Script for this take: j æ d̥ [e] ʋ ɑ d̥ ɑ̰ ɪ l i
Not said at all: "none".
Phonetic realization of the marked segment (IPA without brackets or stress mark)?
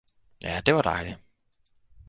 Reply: e